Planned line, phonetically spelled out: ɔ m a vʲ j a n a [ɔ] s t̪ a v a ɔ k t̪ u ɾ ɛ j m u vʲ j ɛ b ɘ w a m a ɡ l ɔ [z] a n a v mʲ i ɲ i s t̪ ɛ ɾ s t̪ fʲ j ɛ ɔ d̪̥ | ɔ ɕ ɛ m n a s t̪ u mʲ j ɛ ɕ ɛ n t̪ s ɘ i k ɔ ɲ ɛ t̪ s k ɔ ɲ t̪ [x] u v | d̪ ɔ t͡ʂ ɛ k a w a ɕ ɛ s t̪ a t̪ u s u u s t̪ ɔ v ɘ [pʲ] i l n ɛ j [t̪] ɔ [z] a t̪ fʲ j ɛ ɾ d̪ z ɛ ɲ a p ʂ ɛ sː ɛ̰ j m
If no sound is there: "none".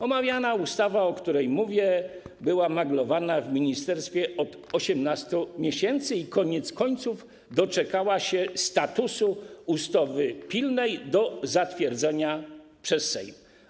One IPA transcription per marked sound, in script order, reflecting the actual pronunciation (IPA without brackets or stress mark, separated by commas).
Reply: u, v, s, pʲ, d̪, z